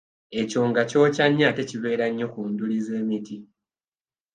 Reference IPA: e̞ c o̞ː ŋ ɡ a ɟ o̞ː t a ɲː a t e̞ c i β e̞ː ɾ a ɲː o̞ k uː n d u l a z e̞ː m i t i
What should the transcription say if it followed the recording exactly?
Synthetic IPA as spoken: e̞ c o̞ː ŋ ɡ a c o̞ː c a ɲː a t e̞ c i β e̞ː ɾ a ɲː o̞ k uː n d u l i z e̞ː m i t i